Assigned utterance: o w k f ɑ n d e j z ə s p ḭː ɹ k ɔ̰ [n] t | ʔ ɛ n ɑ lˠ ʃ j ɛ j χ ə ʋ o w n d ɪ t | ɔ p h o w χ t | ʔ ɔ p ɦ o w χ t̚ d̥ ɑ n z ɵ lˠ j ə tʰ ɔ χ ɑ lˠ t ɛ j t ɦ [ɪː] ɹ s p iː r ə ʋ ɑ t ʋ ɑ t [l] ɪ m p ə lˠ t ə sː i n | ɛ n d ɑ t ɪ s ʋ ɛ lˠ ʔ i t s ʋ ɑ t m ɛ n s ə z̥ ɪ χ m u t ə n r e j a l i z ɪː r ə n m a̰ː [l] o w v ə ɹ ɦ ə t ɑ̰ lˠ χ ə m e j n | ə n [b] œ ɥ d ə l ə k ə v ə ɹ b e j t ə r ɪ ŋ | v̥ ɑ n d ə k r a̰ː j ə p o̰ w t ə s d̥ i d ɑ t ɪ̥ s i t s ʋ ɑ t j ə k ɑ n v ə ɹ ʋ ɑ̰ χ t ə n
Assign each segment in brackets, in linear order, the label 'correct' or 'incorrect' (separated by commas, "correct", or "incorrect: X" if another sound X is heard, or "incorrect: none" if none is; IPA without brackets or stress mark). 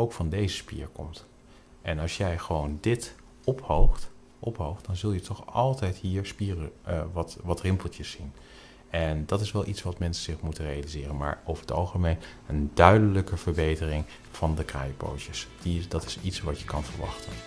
incorrect: m, incorrect: iː, incorrect: r, incorrect: ɹ, incorrect: d